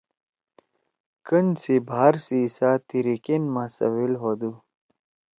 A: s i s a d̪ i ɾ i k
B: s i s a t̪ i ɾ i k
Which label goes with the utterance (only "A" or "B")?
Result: B